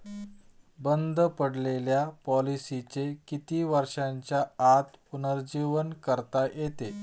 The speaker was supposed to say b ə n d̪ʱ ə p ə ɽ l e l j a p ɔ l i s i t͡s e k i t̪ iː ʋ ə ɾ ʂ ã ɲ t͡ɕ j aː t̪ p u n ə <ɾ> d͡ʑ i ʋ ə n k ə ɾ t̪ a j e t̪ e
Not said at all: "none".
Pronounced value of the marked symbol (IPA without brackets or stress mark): ɾ